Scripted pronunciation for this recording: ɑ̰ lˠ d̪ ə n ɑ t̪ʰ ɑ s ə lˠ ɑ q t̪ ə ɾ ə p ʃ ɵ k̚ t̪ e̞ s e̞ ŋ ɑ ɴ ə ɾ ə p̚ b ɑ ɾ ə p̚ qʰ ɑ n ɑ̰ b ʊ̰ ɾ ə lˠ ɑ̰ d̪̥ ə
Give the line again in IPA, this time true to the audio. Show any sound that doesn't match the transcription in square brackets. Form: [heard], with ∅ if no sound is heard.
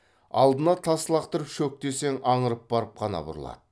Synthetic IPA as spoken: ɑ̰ lˠ d̪ ə n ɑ t̪ʰ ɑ s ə lˠ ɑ q t̪ ə ɾ ə p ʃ ɵ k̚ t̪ e̞ s e̞ ŋ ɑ ɴ ə ɾ ə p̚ b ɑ ɾ ə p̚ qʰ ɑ n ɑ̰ b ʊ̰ ɾ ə lˠ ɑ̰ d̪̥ ə

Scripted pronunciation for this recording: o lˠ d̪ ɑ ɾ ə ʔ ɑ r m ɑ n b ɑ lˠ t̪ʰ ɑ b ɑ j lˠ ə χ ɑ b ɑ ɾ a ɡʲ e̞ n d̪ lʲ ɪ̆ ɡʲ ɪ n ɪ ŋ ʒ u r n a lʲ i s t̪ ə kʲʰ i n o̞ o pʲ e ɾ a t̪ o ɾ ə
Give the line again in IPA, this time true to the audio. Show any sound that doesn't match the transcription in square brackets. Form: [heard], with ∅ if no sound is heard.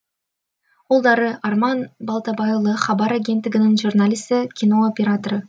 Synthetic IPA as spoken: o lˠ d̪ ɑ ɾ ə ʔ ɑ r m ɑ n b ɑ lˠ [t̪] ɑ b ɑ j lˠ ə χ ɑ b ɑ ɾ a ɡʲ e̞ n [t̪] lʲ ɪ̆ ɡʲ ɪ n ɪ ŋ ʒ u r n a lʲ i s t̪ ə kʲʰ i n o̞ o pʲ e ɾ a t̪ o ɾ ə

